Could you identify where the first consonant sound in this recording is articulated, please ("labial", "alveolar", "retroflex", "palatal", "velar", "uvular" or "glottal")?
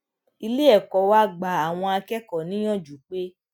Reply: alveolar